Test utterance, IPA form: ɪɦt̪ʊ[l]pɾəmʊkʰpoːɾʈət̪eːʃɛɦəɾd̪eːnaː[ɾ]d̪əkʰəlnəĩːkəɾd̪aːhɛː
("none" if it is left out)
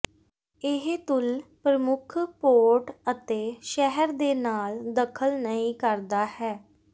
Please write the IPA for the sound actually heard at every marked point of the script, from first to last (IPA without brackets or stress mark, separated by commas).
l, l